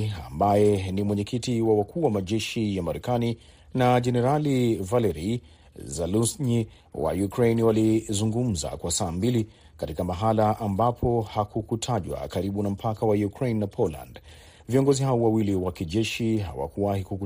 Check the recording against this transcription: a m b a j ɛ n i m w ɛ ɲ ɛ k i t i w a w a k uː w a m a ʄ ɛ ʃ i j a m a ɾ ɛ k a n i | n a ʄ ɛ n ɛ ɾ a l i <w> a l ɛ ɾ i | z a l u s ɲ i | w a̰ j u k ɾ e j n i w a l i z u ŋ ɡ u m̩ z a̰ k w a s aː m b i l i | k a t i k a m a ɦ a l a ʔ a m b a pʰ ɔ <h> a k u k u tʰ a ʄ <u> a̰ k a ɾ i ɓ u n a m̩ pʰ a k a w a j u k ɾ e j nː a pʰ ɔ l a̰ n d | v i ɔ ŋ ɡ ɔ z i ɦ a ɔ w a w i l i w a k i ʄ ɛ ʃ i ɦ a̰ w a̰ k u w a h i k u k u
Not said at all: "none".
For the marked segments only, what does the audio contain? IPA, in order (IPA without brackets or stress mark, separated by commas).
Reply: v, h, w